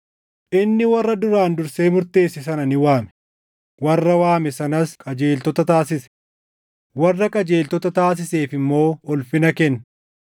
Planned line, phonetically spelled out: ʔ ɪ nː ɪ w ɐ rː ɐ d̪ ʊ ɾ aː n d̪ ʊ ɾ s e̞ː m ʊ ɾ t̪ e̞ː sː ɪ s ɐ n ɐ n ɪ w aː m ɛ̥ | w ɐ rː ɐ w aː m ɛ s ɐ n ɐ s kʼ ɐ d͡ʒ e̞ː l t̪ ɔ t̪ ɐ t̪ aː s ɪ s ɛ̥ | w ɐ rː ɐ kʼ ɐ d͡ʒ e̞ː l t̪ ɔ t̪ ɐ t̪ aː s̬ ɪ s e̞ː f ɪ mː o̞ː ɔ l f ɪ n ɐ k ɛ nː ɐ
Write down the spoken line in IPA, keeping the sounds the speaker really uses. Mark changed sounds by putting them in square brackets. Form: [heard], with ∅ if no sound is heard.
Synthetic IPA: ʔ ɪ nː ɪ w ɐ rː ɐ d̪ ʊ ɾ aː n d̪ ʊ ɾ s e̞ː m ʊ ɾ t̪ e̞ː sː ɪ s ɐ n ɐ n ɪ w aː m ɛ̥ | w ɐ rː ɐ w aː m ɛ s ɐ n ɐ s kʼ ɐ d͡ʒ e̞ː l t̪ ɔ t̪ ɐ t̪ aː s ɪ s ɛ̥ | w ɐ rː ɐ kʼ ɐ d͡ʒ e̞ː l t̪ ɔ t̪ ɐ t̪ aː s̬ ɪ s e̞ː f ɪ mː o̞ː ɔ l f ɪ n ɐ k ɛ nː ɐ